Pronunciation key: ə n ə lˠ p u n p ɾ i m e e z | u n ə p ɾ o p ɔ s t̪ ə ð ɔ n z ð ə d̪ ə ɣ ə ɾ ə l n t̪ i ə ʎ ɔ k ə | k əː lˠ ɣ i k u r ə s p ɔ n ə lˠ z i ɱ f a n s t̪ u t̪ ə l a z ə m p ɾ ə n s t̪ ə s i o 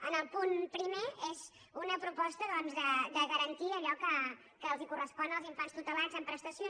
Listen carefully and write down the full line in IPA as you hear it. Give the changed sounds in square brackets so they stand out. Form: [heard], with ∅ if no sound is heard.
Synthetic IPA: ə n ə lˠ p u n p ɾ i m e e z | u n ə p ɾ [u] p ɔ s t̪ ə ð ɔ n z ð ə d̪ ə ɣ ə ɾ ə [∅] n t̪ i ə ʎ ɔ k ə | k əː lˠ [z] i k u r ə s p ɔ n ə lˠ z i ɱ f a n s t̪ u t̪ ə l a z ə m p ɾ ə [∅] s t̪ ə s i o